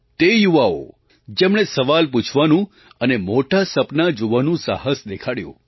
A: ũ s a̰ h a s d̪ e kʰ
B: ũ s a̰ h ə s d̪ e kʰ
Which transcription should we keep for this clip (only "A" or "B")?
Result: B